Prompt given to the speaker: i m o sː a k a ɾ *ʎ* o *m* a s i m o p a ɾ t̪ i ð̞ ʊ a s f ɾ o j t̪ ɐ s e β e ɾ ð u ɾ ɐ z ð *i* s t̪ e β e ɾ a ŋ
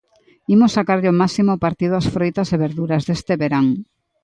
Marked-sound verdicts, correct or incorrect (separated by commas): correct, correct, incorrect